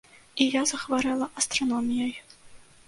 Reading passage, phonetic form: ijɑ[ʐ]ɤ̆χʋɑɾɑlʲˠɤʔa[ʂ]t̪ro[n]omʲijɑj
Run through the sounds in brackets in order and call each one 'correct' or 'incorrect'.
incorrect: z, incorrect: s, correct

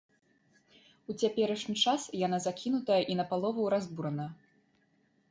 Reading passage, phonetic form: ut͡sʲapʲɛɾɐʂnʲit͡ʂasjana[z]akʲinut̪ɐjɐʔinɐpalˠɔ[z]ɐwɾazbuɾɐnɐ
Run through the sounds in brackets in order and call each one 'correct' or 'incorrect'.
correct, incorrect: v

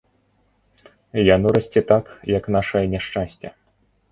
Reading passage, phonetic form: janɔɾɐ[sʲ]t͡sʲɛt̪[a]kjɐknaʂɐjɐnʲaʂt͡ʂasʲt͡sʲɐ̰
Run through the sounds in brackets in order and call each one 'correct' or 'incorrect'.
correct, correct

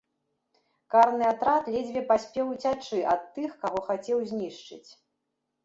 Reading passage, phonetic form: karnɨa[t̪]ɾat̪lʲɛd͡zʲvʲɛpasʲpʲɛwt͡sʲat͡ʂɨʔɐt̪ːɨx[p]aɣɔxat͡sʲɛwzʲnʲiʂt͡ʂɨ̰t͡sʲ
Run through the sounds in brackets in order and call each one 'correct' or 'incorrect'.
correct, incorrect: k

